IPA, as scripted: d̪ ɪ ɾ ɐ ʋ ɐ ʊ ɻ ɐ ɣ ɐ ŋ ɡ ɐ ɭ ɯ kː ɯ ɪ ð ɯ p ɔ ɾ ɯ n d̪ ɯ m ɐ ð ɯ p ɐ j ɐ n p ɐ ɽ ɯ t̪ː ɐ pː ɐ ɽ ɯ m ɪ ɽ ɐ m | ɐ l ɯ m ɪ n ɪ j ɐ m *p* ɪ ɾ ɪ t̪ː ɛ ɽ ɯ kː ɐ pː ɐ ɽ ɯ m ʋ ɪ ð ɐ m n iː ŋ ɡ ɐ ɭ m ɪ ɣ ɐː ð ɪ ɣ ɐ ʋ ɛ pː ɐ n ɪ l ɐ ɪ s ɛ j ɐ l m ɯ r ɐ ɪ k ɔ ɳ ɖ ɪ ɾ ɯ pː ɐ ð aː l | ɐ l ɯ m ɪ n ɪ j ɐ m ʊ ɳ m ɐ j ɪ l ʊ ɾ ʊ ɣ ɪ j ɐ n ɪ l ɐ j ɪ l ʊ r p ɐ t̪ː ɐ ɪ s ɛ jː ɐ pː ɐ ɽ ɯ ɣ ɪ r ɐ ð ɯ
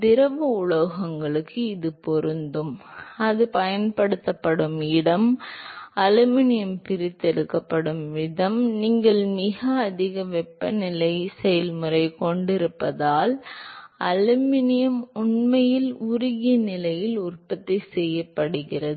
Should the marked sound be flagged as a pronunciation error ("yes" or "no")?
no